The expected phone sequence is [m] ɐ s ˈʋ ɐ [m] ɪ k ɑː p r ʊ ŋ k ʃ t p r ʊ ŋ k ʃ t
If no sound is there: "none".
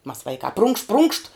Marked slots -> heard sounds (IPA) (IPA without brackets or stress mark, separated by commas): m, none